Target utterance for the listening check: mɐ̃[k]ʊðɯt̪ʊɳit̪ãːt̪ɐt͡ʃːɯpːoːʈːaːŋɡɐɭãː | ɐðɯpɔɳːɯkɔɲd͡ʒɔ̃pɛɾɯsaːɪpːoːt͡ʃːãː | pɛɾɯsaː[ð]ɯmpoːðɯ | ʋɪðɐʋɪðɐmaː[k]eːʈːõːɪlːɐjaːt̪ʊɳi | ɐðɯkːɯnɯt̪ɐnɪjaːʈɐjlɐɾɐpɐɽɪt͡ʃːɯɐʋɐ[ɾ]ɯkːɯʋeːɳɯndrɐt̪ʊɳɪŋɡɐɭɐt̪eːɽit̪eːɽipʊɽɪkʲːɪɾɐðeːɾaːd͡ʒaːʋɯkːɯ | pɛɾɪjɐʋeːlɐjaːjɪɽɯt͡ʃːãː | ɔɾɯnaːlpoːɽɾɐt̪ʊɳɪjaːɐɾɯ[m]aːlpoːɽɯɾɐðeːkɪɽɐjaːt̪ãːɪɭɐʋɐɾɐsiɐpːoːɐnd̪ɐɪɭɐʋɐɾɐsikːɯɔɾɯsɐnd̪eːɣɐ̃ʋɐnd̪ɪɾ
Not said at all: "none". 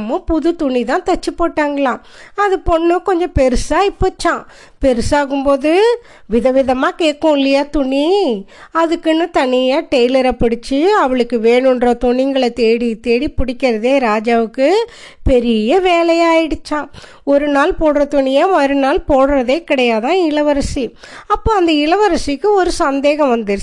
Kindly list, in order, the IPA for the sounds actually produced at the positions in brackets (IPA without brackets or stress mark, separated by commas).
p, ɣ, k, ɭ, n